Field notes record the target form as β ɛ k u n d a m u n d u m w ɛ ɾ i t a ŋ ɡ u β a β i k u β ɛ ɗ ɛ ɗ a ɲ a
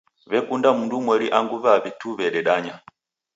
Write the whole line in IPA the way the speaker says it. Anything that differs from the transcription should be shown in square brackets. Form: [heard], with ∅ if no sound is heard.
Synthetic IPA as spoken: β ɛ k u n d a m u n d u m w ɛ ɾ i [ʔ] a ŋ ɡ u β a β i [t] u β ɛ ɗ ɛ ɗ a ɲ a

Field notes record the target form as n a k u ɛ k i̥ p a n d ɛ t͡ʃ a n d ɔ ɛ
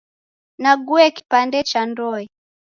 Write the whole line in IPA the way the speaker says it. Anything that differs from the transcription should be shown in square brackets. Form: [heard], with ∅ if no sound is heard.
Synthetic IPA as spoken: n a [ɡ] u ɛ k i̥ p a n d ɛ t͡ʃ a n d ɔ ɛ

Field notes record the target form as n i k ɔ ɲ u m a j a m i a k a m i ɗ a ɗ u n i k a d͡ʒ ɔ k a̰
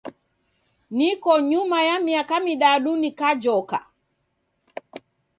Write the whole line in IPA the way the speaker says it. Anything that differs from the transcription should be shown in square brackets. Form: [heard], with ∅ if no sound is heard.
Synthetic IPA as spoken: n i k ɔ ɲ u m a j a m i a k a m i ɗ a ɗ u n i k a d͡ʒ ɔ k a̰

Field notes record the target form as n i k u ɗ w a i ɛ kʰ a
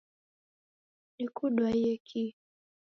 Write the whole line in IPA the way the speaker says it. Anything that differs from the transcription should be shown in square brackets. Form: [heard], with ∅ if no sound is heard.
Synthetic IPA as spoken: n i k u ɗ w a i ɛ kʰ [i]

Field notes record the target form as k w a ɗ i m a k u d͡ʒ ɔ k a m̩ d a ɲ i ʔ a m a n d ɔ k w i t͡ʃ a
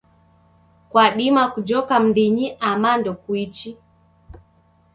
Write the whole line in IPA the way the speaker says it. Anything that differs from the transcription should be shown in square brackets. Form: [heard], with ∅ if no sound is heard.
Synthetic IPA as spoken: k w a ɗ i m a k u d͡ʒ ɔ k a m̩ d [i] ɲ i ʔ a m a n d ɔ k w i t͡ʃ [i]

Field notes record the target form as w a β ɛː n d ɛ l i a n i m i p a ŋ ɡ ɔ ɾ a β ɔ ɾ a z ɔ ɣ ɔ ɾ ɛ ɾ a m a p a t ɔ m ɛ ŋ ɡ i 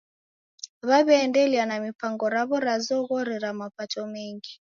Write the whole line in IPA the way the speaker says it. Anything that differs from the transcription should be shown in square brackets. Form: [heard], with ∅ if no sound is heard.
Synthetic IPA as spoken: [β] a β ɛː n d ɛ l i a n [a] m i p a ŋ ɡ ɔ ɾ a β ɔ ɾ a z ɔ ɣ ɔ ɾ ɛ ɾ a m a p a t ɔ m ɛ ŋ ɡ i

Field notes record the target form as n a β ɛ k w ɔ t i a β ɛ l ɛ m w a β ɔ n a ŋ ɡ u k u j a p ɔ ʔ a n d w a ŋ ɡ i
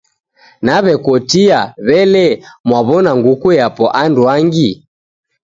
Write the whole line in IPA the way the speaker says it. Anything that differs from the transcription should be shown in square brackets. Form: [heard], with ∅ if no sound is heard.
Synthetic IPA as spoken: n a β ɛ k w ɔ t i a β ɛ l ɛ m w a β ɔ n a ŋ ɡ u k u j a p ɔ ʔ a n d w a ŋ ɡ i

